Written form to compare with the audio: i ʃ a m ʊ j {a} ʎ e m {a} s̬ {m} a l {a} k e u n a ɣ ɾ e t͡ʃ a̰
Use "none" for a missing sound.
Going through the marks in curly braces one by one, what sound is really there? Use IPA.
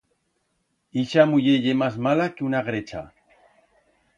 e, a, m, a

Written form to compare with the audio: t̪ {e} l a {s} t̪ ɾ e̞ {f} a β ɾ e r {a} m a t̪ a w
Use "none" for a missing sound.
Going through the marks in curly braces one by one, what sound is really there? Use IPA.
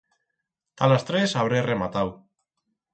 a, s, s, e

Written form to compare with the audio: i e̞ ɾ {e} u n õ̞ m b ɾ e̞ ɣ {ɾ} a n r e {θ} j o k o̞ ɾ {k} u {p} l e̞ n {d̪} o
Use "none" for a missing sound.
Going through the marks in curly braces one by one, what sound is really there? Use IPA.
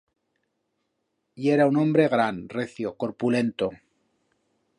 a, ɾ, θ, p, none, t̪

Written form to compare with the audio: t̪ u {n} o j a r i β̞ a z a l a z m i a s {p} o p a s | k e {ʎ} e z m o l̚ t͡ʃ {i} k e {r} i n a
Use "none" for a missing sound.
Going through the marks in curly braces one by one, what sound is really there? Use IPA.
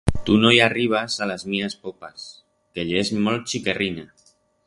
n, p, ʎ, i, r

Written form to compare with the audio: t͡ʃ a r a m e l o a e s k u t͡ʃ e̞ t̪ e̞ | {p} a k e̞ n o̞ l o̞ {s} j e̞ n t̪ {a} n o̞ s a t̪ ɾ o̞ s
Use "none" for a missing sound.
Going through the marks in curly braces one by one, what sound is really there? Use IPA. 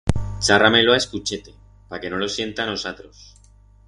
p, s, a

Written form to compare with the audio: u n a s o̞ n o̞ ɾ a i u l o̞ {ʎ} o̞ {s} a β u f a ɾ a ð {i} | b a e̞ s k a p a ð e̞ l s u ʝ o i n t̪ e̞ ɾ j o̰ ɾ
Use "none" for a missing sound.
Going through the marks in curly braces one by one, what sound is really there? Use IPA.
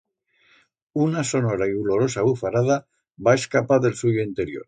ɾ, s, a

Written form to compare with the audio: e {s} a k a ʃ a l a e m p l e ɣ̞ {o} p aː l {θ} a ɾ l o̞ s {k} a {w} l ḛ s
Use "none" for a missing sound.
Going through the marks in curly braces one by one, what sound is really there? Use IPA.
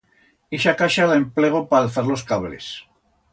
ʃ, o, θ, k, β

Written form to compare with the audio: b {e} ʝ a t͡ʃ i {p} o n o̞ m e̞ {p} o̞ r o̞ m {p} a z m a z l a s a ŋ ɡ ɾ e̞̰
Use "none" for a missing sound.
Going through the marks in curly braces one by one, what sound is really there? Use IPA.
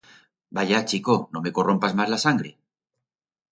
a, k, k, p

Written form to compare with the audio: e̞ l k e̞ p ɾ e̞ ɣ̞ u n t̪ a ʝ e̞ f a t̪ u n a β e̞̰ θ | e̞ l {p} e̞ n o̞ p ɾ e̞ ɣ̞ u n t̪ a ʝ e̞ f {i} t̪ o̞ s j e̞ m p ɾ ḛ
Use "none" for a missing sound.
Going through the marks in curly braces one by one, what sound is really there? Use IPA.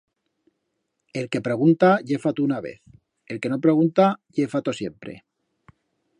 k, a

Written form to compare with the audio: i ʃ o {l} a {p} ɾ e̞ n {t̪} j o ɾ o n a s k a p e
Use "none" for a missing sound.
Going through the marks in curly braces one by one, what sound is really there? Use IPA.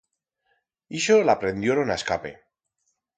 l, p, d̪

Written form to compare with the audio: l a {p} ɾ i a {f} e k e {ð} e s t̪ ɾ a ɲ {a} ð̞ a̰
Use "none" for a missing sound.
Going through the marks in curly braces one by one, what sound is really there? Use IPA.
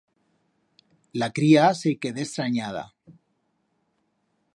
k, s, ð, a

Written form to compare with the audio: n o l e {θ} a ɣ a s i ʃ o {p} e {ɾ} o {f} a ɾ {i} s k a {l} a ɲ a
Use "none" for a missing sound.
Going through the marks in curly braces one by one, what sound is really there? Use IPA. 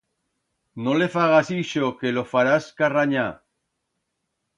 f, k, l, f, a, r

